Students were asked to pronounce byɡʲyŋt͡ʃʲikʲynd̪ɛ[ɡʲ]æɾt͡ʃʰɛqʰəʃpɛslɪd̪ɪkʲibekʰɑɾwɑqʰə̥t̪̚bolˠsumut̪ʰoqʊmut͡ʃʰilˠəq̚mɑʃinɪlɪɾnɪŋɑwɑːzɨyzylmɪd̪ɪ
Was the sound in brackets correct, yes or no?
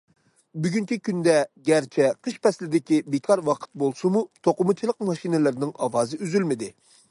yes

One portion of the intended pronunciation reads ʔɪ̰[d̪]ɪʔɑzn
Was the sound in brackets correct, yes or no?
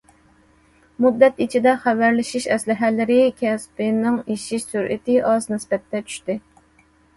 no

